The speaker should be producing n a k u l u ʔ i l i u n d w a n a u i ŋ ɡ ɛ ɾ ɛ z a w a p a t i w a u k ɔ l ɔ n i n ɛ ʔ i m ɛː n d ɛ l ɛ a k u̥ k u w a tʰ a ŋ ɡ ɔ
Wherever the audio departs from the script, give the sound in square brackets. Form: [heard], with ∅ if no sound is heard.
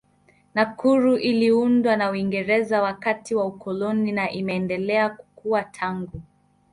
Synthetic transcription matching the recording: n a k u [ɾ] u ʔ i l i u n d w a n a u i ŋ ɡ ɛ ɾ ɛ z a w a [k] a t i w a u k ɔ l ɔ n i n [a] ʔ i m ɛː n d ɛ l ɛ a k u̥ k u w a tʰ a ŋ ɡ [u]